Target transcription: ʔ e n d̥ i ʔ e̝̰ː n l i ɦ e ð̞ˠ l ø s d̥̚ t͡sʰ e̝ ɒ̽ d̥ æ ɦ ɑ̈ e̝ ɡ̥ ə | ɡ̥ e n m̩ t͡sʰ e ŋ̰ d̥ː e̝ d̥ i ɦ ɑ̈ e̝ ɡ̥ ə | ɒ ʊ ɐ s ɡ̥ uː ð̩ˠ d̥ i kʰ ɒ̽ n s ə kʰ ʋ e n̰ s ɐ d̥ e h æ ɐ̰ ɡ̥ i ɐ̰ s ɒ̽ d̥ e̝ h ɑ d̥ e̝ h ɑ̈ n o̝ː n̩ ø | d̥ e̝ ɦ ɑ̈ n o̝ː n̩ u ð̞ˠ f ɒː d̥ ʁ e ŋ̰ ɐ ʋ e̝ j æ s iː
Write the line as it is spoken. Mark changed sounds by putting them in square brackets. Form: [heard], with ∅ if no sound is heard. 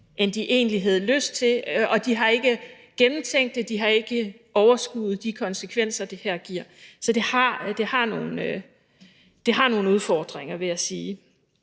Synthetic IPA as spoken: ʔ e n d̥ i ʔ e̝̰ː n l i ɦ [æ] ð̞ˠ l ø s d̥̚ t͡sʰ e̝ ɒ̽ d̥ [i] ɦ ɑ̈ e̝ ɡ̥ ə | ɡ̥ e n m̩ t͡sʰ e ŋ̰ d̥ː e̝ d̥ i ɦ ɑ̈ e̝ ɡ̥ ə | ɒ ʊ ɐ s ɡ̥ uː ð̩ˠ d̥ i kʰ ɒ̽ n s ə kʰ ʋ e n̰ s ɐ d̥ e h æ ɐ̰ ɡ̥ i ɐ̰ s ɒ̽ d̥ e̝ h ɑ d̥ e̝ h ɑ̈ n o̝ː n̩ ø | d̥ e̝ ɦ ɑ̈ n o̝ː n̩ u ð̞ˠ f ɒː d̥ ʁ e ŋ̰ ɐ ʋ e̝ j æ s iː